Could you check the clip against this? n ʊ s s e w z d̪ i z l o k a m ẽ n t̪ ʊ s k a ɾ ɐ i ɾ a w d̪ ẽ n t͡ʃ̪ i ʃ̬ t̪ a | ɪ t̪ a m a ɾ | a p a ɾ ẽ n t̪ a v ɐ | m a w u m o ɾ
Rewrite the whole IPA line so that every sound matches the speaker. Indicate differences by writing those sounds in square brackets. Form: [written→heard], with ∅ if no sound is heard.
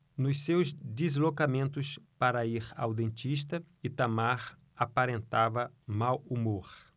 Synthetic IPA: n ʊ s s e w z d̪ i z l o k a m ẽ n t̪ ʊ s [k→p] a ɾ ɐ i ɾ a w d̪ ẽ n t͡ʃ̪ i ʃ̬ t̪ [a→ɐ] | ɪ t̪ a m a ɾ | a p a ɾ ẽ n t̪ a v ɐ | m a w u m o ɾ